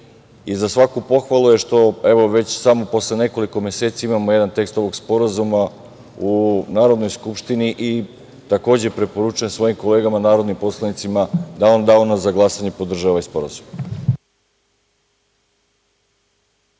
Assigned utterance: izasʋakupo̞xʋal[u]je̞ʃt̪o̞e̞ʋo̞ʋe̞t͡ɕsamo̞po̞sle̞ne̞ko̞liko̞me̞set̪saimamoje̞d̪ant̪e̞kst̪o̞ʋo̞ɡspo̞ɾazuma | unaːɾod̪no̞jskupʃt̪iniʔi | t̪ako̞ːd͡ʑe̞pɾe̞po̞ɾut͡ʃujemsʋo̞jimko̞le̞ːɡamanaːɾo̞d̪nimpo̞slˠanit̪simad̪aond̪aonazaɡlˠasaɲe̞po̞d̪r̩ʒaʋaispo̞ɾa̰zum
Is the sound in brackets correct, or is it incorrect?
correct